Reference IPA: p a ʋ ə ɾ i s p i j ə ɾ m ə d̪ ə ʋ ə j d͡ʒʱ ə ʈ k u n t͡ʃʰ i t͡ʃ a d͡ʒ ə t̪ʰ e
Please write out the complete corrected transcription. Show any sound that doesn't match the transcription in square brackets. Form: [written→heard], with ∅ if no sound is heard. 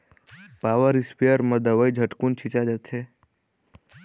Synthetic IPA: p a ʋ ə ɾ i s p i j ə ɾ m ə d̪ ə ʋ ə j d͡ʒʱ ə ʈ k u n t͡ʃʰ i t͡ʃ a d͡ʒ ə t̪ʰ e